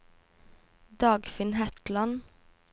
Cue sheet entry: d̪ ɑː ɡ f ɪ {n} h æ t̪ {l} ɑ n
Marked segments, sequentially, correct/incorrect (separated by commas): correct, correct